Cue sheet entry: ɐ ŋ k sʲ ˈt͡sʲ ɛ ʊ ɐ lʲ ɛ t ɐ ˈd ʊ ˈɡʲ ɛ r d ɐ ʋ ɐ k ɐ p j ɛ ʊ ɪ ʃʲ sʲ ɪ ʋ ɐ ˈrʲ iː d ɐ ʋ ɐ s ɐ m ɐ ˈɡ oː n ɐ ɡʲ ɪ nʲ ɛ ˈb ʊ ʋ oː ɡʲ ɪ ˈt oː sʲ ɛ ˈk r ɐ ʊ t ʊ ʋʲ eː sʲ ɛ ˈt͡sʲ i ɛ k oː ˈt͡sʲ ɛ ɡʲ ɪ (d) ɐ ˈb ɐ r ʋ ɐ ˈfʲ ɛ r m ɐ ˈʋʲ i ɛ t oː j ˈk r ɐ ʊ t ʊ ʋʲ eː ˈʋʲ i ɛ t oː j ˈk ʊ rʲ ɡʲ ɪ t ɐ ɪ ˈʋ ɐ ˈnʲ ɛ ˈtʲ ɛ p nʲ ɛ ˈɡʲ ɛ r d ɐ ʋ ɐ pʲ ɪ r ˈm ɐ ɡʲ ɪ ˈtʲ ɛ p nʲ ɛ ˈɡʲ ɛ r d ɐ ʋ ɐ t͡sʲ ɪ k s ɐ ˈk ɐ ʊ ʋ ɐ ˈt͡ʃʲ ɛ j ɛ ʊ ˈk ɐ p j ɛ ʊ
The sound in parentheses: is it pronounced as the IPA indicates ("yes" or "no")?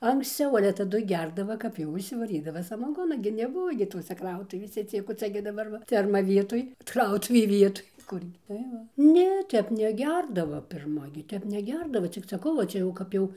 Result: yes